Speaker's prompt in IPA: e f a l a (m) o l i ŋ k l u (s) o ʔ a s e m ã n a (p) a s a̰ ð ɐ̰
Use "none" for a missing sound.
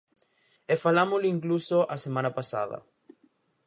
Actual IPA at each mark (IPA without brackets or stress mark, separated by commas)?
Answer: m, s, p